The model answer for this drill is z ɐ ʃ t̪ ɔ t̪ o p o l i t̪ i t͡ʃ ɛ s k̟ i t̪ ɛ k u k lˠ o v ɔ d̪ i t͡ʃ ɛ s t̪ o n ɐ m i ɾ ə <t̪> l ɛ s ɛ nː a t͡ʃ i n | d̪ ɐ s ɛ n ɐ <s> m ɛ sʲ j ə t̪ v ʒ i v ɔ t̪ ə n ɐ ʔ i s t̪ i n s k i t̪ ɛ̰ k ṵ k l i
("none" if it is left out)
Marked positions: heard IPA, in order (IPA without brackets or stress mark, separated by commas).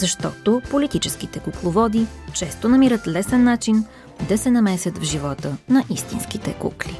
t̪, none